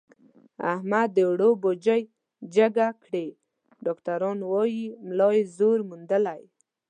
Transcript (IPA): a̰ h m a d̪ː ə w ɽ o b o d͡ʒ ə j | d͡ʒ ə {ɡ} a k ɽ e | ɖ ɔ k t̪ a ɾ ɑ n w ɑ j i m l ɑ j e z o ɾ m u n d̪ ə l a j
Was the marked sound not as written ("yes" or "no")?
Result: no